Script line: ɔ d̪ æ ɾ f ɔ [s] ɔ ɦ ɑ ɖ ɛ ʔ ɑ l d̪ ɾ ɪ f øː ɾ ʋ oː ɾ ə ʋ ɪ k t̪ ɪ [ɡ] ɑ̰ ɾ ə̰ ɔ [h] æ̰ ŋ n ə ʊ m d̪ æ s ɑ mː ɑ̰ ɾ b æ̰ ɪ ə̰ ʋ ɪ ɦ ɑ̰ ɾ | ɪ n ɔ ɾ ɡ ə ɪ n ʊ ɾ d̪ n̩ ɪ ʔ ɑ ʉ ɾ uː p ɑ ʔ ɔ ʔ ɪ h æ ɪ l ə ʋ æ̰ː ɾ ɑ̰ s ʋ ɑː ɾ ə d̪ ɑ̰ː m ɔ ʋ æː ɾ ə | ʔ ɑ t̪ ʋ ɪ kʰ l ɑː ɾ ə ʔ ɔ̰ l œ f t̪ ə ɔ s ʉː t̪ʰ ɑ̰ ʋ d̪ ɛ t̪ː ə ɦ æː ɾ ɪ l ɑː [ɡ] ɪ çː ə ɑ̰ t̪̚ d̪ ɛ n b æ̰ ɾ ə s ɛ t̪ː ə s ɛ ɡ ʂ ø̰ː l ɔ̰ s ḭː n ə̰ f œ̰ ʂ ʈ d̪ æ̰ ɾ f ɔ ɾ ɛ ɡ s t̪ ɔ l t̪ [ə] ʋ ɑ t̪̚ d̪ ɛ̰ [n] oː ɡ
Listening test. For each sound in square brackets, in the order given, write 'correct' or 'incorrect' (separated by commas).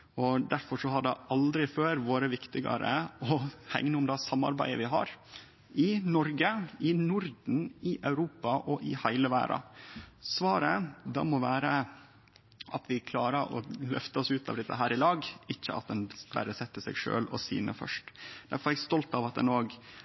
incorrect, correct, correct, correct, incorrect, correct